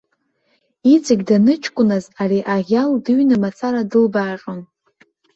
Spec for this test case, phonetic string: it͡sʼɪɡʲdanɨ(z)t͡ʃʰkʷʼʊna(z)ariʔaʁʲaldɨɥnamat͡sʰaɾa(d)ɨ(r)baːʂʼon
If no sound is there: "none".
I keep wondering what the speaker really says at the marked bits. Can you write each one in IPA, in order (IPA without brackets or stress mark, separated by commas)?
none, z, d, l